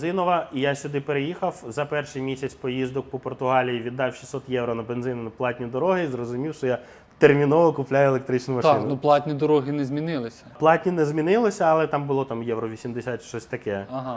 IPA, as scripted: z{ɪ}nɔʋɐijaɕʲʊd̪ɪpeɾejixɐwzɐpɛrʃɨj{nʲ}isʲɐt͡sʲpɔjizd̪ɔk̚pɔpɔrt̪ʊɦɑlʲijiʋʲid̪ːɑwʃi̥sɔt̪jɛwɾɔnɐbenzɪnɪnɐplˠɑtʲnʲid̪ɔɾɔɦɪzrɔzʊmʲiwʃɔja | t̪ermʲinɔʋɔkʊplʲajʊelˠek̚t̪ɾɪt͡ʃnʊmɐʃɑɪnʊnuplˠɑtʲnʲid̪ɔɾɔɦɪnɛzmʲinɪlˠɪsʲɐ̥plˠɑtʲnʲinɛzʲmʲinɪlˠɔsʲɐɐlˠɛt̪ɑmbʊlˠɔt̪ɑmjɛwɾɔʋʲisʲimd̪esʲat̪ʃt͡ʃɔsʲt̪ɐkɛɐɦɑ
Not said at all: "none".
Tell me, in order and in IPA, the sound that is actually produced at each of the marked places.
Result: ɪ, mʲ

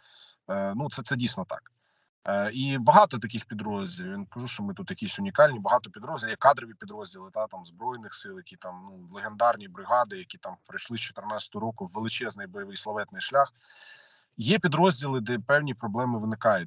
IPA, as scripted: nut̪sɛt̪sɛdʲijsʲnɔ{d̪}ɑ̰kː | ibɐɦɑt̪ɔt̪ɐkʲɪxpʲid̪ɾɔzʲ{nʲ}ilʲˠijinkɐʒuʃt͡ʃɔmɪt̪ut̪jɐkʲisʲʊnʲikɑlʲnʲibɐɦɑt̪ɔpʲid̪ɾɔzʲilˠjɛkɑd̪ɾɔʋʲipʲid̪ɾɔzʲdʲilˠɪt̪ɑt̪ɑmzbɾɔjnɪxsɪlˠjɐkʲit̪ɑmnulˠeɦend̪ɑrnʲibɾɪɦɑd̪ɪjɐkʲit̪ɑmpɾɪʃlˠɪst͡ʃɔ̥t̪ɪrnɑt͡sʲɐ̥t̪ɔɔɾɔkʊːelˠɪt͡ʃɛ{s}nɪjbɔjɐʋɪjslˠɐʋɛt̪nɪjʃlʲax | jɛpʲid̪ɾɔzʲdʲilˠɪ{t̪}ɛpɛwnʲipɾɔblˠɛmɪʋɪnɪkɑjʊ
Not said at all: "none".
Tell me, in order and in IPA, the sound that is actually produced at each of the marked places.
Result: t̪, dʲ, z, d̪

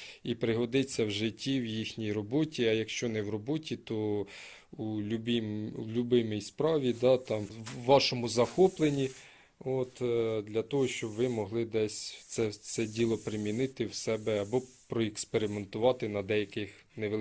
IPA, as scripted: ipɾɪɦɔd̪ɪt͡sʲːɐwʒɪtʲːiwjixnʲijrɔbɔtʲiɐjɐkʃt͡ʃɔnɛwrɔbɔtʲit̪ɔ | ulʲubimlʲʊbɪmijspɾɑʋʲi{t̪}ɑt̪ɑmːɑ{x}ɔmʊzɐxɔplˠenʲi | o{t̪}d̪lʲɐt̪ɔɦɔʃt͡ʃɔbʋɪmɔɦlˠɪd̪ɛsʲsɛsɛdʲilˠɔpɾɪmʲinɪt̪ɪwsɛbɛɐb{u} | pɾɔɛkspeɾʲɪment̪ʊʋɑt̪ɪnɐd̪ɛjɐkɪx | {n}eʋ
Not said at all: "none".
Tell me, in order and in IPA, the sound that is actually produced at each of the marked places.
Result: d̪, ʃ, t̪, ɔ, n

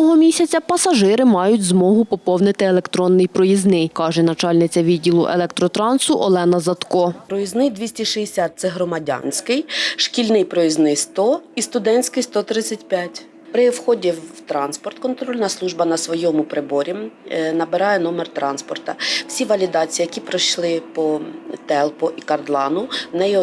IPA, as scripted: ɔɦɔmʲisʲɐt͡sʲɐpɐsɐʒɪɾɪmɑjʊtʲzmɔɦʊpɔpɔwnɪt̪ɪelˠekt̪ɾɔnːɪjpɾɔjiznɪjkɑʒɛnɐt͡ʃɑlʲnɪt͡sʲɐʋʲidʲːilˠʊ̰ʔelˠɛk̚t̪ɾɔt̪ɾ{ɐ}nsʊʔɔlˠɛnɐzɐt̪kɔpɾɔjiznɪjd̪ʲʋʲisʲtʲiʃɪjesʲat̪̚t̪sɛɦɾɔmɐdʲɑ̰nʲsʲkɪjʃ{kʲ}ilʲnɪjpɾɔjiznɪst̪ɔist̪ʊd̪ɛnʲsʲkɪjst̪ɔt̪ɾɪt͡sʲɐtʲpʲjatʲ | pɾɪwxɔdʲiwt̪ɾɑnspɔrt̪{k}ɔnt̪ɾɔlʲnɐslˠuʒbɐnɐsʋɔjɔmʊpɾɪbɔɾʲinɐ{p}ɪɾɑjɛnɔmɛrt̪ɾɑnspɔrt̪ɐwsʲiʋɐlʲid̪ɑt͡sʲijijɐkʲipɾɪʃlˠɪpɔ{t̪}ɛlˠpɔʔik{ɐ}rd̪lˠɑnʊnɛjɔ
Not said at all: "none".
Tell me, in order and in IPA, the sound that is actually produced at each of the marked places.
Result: ɑ, kʲ, k, b, t̪, ɐ

